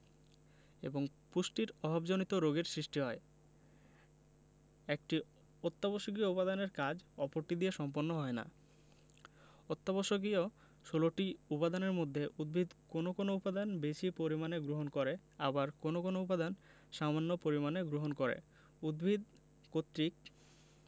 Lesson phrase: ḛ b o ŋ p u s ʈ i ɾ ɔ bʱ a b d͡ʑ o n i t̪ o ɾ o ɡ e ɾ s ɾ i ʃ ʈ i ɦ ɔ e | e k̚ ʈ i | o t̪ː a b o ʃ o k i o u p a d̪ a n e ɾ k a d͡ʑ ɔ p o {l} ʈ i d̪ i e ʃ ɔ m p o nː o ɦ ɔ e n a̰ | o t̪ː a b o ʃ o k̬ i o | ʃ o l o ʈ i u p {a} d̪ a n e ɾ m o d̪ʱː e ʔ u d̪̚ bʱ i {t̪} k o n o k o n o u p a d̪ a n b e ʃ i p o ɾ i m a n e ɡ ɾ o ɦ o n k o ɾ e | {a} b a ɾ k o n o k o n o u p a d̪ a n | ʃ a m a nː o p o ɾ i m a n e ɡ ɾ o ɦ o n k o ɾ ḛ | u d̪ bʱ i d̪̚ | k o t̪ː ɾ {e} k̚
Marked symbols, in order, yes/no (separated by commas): no, yes, no, yes, no